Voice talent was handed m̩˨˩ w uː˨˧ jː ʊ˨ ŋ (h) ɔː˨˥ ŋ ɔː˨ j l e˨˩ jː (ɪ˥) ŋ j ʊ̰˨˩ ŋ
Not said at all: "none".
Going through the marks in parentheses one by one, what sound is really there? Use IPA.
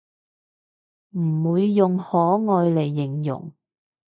h, ɪ˨˩

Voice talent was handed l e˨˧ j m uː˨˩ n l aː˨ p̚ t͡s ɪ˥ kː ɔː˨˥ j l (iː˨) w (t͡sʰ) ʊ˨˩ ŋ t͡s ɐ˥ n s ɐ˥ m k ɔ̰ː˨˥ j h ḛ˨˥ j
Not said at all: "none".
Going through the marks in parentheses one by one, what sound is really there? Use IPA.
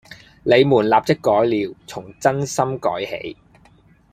iː˨, t͡sʰ

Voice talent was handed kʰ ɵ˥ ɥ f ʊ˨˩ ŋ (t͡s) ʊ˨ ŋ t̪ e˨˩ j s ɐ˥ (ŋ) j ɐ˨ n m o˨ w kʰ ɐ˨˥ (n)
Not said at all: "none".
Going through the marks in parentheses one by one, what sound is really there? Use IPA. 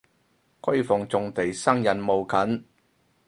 t͡s, ŋ, n

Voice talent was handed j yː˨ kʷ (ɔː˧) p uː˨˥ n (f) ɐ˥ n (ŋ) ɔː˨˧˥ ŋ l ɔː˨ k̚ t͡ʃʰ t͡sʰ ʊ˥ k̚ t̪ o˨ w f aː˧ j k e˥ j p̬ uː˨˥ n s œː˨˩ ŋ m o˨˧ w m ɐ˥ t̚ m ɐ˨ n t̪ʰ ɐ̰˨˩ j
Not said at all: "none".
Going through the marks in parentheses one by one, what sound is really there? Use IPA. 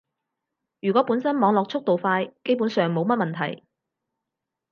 ɔː˨˥, s, m

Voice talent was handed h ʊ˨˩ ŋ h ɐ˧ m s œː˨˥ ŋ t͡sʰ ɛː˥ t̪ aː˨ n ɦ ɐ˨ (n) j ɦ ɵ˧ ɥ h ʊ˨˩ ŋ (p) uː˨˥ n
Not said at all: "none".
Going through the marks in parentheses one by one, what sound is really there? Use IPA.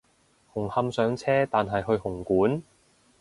none, k

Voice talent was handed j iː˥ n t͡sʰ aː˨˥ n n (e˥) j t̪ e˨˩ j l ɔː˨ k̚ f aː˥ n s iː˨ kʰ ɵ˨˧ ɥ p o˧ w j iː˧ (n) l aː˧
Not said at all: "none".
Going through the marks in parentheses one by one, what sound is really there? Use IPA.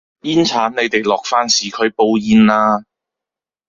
e˨˧, n

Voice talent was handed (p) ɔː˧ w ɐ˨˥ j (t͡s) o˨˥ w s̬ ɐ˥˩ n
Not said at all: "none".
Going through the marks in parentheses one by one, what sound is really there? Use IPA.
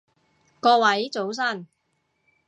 k, t͡s

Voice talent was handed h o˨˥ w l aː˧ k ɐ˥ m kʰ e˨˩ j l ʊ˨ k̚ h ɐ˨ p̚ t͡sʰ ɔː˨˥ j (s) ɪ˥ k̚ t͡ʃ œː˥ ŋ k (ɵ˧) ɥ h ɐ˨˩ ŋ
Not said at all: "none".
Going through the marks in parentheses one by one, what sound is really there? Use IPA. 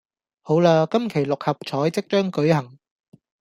t͡s, ɵ˨˥

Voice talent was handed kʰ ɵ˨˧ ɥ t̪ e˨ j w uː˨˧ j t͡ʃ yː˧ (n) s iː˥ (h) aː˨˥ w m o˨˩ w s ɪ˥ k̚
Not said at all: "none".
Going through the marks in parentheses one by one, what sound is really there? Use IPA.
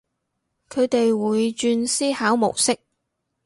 n, h

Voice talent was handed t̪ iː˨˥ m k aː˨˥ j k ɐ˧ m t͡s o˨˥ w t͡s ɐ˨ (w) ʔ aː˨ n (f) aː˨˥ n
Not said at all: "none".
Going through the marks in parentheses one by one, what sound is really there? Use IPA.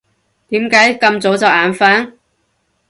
w, f

